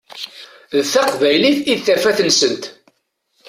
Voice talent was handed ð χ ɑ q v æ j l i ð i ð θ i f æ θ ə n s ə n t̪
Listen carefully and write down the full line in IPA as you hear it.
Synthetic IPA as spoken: ð θ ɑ q v æ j l i θ i ð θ æ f æ θ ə n s ə n t̪